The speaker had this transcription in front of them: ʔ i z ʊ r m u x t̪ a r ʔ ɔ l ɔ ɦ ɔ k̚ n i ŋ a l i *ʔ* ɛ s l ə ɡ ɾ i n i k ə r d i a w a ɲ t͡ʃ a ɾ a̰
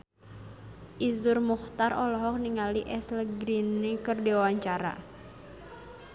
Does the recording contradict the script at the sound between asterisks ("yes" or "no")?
no